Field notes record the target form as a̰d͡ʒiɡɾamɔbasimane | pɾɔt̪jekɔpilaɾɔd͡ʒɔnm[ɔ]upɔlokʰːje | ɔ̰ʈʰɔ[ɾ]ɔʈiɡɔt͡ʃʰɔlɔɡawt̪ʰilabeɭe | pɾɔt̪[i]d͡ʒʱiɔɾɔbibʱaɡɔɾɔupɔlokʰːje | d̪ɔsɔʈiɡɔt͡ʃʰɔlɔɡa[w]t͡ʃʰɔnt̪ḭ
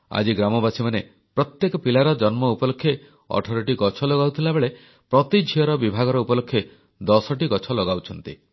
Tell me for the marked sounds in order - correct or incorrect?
correct, correct, correct, correct

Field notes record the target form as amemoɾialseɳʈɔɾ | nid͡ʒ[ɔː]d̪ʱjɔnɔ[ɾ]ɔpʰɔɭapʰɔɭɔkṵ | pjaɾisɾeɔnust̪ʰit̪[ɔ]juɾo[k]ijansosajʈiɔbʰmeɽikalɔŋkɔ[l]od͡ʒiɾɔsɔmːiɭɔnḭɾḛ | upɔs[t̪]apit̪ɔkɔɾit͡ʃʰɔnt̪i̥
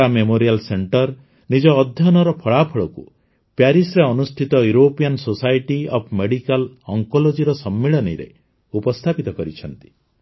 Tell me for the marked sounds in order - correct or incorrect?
correct, correct, correct, incorrect: p, correct, incorrect: t̪ʰ

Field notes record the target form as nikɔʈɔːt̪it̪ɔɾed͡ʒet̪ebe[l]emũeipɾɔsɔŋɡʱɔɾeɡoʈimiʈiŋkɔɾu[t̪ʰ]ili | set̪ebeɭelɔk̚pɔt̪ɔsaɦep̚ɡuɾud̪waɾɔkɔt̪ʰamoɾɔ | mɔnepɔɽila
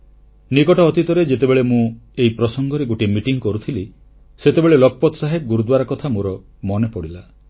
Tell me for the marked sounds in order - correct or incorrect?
incorrect: ɭ, correct

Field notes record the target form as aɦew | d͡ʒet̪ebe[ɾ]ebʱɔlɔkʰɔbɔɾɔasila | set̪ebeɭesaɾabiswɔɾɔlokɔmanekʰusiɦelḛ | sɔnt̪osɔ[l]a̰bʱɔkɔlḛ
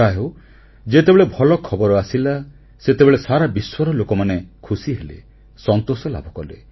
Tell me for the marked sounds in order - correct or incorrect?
incorrect: ɭ, correct

